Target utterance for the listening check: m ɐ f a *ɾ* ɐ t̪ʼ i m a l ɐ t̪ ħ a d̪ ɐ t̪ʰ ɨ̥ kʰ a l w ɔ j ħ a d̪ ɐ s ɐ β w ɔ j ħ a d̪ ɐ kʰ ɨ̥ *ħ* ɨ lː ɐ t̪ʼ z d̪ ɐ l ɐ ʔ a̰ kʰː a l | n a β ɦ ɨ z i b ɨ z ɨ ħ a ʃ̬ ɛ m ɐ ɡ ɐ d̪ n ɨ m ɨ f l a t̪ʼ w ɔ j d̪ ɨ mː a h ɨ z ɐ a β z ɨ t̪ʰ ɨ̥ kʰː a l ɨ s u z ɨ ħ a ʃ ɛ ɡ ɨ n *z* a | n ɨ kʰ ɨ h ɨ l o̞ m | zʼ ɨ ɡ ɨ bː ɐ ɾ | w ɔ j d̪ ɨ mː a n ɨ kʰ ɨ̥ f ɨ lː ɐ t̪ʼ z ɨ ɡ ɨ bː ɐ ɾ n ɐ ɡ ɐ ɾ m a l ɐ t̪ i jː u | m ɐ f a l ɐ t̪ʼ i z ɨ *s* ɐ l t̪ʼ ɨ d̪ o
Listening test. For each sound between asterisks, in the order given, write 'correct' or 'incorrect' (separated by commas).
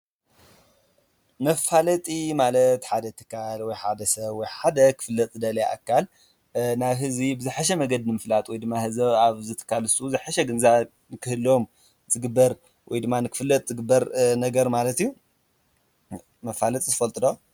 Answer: incorrect, incorrect, correct, incorrect